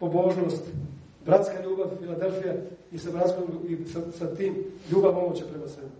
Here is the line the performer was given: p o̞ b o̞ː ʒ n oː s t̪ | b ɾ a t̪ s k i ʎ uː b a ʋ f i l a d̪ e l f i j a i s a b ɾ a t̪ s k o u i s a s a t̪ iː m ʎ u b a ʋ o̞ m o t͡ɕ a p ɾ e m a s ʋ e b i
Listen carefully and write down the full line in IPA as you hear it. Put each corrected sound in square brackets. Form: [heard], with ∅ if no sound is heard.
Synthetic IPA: p o̞ b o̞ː ʒ n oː s t̪ | b ɾ a t̪ s k [a] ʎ uː b a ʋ f i l a d̪ e l f i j a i s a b ɾ a t̪ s k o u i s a s a t̪ iː m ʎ [uː] b a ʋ o̞ m o t͡ɕ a p ɾ e m a s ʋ e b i